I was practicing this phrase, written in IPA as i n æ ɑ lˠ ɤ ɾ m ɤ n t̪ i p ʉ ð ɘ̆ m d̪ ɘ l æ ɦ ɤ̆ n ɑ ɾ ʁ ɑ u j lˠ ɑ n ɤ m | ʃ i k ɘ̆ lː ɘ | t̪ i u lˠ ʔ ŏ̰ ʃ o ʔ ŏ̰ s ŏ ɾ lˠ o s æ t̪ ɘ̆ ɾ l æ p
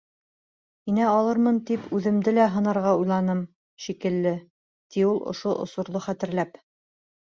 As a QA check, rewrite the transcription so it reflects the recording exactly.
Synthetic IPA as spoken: i n æ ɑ lˠ ɤ ɾ m ɤ n t̪ i p ʉ ð ɘ̆ m d̪ ɘ l æ ɦ ɤ̆ n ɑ ɾ ʁ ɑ u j lˠ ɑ n ɤ m | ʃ i k ɘ̆ lː ɘ | t̪ i u lˠ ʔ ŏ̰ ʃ o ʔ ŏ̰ s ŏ ɾ lˠ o χ æ t̪ ɘ̆ ɾ l æ p